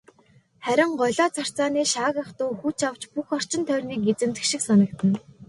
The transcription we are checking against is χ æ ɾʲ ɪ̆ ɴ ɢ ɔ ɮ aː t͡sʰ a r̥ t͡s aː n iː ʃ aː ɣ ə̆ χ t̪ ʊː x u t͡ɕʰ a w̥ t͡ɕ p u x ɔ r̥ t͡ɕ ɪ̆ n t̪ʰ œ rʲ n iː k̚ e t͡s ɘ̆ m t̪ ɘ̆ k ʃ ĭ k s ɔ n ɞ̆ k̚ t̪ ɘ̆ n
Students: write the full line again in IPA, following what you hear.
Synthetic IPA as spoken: χ æ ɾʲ ɪ̆ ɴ ɢ ɔ ɮ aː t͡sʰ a r̥ t͡s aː n iː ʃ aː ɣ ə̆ χ t̪ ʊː x u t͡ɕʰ a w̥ t͡ɕ p u x ɔ r̥ t͡ɕ ɪ̆ n t̪ʰ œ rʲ n iː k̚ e t͡s ɘ̆ m t̪ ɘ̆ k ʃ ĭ k s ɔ n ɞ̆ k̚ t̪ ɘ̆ n